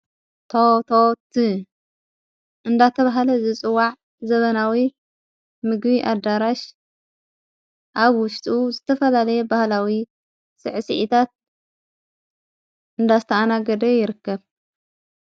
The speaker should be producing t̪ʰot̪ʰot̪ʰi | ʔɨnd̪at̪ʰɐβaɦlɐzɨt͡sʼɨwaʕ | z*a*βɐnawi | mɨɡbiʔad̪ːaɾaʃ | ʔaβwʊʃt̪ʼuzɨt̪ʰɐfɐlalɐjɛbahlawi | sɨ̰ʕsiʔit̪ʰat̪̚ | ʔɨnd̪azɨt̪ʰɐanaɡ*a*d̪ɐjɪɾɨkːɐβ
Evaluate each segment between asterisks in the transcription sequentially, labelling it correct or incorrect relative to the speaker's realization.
incorrect: ɐ, incorrect: ɐ

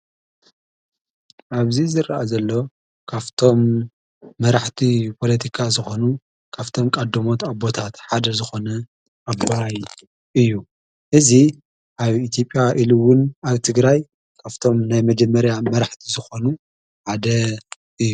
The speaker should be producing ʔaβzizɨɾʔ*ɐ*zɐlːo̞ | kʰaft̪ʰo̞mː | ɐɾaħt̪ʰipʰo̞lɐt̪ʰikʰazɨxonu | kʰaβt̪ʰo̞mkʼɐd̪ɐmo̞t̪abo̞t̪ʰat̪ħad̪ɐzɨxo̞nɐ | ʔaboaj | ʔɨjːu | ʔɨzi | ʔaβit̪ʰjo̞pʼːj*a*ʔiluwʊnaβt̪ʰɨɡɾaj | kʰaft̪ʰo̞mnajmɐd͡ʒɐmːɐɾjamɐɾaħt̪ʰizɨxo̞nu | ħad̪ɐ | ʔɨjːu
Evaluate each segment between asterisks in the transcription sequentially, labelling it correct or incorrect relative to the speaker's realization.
incorrect: a, correct

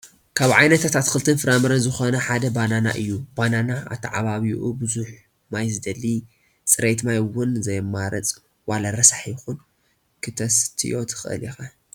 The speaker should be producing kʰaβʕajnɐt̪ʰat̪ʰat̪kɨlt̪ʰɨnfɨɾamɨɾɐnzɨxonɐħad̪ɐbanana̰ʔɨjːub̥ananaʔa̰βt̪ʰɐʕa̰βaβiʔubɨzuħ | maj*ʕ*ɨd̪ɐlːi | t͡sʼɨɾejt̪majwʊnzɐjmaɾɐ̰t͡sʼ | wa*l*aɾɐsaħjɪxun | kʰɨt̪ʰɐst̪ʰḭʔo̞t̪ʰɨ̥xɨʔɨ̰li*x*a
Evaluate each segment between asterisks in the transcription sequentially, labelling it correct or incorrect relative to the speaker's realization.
incorrect: z, correct, correct

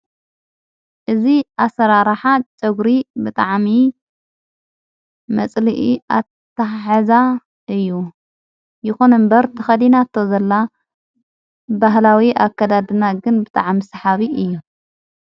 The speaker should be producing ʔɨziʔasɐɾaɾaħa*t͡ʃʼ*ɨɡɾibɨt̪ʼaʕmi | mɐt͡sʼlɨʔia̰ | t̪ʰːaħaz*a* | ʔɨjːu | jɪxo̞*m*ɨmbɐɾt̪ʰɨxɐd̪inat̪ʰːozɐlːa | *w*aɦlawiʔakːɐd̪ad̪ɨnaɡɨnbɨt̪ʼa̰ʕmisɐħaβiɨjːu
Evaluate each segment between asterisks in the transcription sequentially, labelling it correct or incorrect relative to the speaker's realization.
correct, correct, incorrect: n, incorrect: b

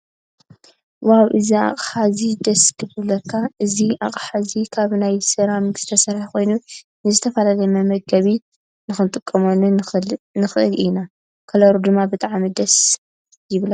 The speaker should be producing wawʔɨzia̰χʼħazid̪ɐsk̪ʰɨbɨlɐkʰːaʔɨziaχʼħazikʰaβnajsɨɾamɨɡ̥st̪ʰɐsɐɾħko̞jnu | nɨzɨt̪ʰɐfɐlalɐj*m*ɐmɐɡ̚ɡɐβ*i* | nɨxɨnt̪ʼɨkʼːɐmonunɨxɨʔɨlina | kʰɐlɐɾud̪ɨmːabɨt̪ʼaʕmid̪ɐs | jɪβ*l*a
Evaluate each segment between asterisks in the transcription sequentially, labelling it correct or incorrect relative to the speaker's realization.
correct, correct, correct

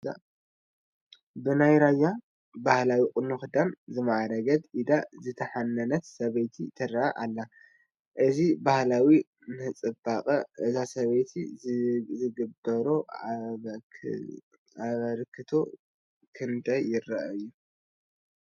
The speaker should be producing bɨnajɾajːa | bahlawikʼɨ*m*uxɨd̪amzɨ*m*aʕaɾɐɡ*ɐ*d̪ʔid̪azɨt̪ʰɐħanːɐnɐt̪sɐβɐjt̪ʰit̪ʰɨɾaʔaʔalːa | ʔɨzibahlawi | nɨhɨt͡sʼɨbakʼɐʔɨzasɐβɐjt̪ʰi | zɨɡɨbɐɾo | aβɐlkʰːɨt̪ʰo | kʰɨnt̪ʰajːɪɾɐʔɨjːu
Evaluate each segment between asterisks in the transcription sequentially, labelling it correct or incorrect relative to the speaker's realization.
incorrect: n, correct, correct

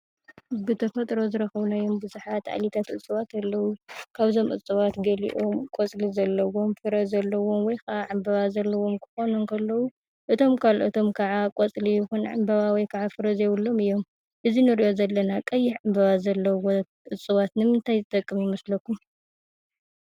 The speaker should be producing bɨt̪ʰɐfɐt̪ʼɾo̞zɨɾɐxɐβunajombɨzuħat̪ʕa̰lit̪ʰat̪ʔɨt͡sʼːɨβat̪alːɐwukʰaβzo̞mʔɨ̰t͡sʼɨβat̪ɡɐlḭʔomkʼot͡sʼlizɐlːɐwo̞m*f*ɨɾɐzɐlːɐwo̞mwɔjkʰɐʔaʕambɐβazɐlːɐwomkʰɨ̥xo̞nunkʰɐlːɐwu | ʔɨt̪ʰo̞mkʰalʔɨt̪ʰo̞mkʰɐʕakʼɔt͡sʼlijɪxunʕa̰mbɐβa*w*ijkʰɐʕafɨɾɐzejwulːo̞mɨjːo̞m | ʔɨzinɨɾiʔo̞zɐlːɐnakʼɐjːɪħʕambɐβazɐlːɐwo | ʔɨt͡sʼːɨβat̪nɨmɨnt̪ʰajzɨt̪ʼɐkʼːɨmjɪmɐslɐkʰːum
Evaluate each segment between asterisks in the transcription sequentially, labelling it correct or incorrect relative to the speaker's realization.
correct, correct

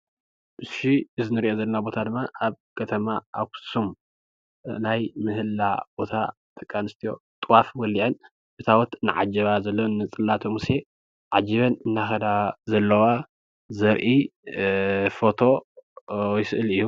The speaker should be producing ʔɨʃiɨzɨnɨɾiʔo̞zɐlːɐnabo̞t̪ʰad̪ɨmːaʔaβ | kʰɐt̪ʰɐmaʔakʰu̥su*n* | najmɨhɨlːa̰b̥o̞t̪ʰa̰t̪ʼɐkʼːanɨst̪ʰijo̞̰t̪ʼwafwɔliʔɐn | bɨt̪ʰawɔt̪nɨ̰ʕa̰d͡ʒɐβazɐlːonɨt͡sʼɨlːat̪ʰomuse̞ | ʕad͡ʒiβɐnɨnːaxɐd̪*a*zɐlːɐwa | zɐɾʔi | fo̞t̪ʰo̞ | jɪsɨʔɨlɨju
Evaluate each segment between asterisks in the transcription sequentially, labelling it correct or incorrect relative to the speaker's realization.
incorrect: m, correct

